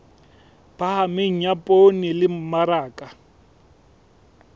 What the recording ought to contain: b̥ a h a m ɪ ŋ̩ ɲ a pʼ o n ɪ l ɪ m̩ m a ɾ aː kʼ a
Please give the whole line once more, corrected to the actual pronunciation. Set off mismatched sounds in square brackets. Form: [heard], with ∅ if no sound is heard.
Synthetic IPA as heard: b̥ a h a m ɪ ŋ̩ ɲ a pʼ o n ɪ l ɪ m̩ m a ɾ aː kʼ a